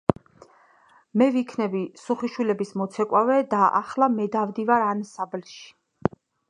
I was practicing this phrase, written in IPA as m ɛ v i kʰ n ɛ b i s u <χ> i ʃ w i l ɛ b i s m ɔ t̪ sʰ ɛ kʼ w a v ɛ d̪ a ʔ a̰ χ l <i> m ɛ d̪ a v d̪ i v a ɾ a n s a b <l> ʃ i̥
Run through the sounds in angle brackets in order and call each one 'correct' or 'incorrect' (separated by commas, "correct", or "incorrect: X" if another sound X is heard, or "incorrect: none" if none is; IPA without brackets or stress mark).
correct, incorrect: a, correct